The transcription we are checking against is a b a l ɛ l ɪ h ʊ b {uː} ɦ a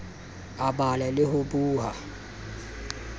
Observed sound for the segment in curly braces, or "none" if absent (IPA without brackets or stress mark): uː